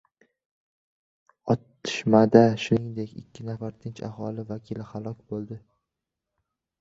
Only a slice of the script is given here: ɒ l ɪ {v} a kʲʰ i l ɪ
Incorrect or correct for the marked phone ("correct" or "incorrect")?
correct